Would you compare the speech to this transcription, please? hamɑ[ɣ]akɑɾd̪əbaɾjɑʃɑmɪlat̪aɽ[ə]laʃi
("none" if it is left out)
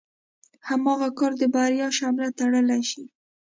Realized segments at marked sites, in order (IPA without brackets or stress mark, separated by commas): ɣ, ə